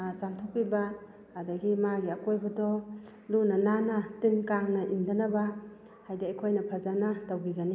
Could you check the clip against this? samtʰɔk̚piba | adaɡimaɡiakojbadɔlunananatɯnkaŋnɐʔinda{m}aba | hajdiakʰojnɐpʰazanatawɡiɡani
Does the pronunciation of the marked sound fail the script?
yes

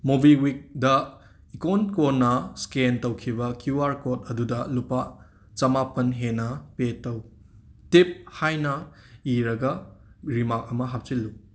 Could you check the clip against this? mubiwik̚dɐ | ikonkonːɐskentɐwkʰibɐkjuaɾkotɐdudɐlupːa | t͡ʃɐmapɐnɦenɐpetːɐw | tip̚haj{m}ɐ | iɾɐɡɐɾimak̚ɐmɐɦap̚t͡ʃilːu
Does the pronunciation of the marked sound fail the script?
yes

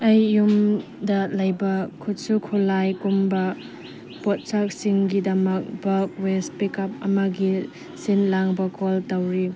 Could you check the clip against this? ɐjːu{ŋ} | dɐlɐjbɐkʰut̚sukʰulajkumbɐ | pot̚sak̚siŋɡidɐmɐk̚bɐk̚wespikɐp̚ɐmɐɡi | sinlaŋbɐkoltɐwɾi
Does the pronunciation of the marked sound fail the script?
yes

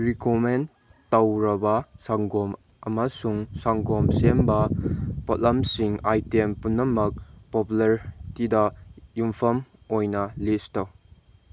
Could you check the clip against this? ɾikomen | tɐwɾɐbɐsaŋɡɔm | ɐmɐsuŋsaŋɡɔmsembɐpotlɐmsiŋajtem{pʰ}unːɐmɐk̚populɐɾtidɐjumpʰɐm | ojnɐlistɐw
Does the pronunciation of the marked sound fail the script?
yes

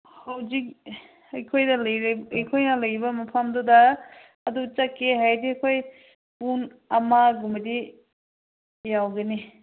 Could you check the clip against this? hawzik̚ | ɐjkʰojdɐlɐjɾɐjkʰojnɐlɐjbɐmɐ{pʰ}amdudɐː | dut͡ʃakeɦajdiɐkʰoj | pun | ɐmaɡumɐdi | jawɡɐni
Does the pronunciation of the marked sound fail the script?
no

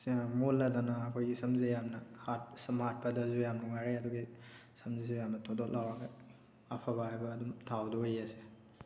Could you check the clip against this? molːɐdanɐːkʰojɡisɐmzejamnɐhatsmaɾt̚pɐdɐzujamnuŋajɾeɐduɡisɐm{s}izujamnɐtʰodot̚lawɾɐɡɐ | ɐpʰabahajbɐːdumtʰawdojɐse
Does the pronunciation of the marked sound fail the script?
yes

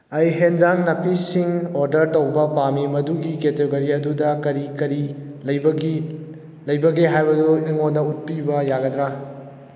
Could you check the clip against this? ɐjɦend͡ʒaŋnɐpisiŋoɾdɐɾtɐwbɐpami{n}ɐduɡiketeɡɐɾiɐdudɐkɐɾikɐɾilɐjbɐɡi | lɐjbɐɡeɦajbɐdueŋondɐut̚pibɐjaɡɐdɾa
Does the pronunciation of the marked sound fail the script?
yes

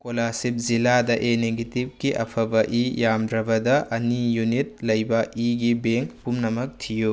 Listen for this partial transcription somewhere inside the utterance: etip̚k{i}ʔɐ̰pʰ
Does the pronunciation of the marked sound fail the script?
no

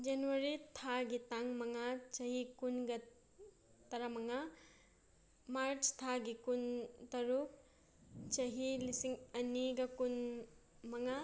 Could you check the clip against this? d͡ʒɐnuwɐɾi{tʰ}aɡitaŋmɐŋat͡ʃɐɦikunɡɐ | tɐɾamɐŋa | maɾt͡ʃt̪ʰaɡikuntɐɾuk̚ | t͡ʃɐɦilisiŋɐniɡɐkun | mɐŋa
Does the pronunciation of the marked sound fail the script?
no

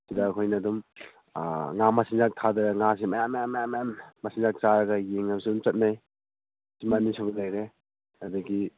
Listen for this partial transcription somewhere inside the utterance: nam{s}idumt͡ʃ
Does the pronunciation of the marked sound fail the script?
no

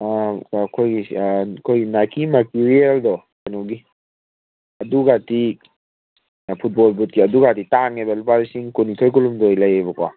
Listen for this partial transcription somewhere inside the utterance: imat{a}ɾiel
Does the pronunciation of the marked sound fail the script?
yes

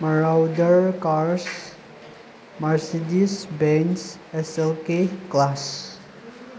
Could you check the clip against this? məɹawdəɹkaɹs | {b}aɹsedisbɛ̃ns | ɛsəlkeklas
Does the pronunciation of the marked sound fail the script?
yes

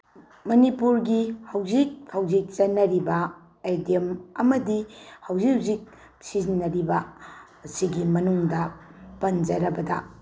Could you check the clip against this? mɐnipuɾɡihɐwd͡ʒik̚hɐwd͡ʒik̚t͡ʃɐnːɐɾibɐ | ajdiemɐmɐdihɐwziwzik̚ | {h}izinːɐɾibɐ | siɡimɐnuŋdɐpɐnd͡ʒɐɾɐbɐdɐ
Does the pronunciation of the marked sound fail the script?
yes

